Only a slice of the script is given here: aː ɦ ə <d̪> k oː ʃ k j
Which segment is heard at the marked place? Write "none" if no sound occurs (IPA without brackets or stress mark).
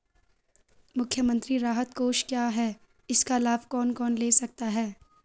t̪